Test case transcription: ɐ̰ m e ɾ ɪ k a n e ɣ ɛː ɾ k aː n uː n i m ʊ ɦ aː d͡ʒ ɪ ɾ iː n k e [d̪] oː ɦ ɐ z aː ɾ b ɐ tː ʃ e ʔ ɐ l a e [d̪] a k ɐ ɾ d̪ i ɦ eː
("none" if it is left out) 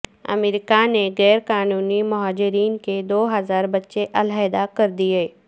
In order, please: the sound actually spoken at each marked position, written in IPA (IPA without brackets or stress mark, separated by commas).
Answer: d̪, d̪